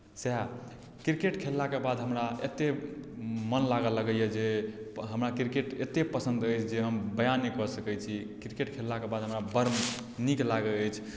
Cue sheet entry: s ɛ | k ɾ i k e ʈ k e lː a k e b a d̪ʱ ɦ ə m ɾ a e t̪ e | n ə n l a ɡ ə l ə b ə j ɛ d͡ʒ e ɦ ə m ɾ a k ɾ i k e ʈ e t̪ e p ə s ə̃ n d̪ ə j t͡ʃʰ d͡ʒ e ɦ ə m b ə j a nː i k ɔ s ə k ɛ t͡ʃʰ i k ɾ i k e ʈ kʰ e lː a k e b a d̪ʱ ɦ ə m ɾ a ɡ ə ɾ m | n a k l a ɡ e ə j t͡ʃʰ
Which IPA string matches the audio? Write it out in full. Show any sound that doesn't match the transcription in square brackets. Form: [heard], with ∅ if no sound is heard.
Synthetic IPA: s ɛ | k ɾ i k e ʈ [kʰ] e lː a k e b a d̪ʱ ɦ ə m ɾ a e t̪ e | [m] ə n l a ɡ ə l ə [ɡ] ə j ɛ d͡ʒ e ɦ ə m ɾ a k ɾ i k e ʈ e t̪ e p ə s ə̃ n d̪ ə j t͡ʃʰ d͡ʒ e ɦ ə m b ə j a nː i k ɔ s ə k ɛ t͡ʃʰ i k ɾ i k e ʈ kʰ e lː a k e b a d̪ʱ ɦ ə m ɾ a [b] ə ɾ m | n [i] k l a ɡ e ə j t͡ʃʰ